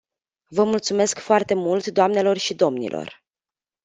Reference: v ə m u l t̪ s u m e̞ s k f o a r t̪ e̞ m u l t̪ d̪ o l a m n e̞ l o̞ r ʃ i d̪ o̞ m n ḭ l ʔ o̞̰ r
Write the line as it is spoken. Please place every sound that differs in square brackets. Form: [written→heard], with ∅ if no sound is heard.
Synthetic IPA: v ə m u l t̪ s u m e̞ s k f o a r t̪ e̞ m u l t̪ d̪ o [l→∅] a m n e̞ l o̞ r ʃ i d̪ o̞ m n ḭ l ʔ o̞̰ r